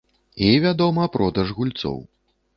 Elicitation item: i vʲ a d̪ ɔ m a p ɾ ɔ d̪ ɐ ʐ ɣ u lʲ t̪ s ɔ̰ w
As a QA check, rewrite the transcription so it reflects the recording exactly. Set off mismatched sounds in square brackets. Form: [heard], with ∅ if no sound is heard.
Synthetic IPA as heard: i vʲ a d̪ ɔ m [ɐ] p ɾ ɔ d̪ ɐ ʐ ɣ u lʲ t̪ s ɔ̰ w